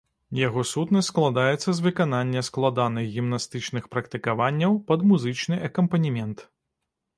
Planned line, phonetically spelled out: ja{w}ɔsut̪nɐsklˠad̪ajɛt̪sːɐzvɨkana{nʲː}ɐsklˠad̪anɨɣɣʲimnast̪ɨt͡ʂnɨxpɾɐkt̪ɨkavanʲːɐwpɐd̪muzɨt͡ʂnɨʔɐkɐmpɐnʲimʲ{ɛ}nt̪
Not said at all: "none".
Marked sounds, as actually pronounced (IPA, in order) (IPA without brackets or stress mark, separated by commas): ɣ, nʲː, ɛ